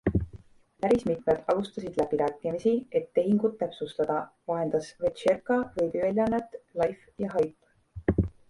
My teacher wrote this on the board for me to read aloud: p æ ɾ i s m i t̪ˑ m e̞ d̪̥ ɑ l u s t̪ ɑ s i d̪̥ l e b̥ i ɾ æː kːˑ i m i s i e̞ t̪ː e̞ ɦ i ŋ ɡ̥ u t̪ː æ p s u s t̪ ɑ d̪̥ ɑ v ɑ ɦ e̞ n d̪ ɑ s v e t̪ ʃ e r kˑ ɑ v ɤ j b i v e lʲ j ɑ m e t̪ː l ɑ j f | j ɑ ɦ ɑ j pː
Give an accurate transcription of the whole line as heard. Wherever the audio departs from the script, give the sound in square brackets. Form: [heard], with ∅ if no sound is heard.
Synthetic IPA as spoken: p æ ɾ i s m i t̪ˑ m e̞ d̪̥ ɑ l u s t̪ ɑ s i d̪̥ l [æ] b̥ i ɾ æː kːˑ i m i s i e̞ t̪ː e̞ ɦ i ŋ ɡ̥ u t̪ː æ p s u s t̪ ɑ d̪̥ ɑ v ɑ ɦ e̞ n d̪ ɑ s v e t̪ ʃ e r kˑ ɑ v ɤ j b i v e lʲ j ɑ [n] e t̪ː l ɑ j f | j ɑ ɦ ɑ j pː